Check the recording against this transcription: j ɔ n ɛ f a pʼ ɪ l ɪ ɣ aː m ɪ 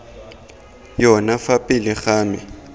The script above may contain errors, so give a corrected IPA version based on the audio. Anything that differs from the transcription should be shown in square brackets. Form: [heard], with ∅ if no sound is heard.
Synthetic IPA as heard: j ɔ n [a] f a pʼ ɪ l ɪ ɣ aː m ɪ